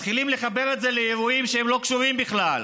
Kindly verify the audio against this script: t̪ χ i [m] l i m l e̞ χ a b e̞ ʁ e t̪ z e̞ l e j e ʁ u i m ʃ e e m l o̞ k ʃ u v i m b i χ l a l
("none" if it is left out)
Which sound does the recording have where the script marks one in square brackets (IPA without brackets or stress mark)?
none